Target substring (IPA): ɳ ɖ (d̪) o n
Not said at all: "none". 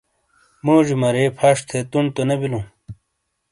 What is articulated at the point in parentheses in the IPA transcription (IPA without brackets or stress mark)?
t̪